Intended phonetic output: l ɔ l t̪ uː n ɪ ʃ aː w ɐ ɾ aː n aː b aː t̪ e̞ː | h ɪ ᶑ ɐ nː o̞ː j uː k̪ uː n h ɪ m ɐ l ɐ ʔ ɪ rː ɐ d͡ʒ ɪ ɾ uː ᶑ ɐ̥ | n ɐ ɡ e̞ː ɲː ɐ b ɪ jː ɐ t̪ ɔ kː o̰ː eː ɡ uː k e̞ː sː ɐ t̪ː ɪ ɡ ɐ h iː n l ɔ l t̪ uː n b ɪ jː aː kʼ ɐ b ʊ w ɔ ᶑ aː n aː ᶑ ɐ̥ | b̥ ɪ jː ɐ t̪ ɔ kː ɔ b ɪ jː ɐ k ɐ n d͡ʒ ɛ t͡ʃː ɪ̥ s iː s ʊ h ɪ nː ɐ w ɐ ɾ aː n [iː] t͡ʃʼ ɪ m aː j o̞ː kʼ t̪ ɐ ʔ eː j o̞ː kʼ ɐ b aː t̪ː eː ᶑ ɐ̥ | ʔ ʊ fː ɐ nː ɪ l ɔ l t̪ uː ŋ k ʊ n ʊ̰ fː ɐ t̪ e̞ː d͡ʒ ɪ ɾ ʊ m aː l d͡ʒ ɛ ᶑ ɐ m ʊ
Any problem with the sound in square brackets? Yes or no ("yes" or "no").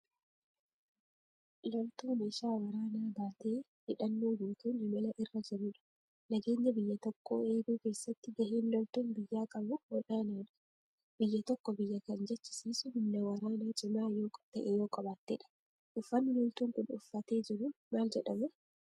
yes